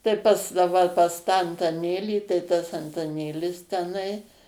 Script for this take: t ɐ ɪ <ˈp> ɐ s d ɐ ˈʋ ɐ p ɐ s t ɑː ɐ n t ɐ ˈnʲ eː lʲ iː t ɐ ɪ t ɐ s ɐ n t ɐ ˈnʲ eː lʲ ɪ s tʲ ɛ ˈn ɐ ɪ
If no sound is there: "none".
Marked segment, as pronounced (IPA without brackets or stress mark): p